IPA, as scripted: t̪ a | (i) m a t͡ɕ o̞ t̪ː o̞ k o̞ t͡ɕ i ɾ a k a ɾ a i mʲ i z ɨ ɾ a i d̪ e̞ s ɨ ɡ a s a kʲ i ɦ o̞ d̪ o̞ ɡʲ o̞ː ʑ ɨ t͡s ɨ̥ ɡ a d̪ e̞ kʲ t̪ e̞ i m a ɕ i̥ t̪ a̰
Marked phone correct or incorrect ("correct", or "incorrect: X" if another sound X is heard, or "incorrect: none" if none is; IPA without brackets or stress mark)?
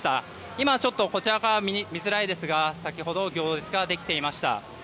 correct